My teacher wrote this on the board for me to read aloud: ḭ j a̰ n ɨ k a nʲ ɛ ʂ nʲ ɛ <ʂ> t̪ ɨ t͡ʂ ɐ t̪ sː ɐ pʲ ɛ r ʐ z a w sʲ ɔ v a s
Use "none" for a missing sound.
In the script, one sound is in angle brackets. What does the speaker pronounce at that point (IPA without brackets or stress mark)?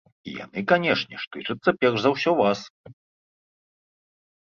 ʂ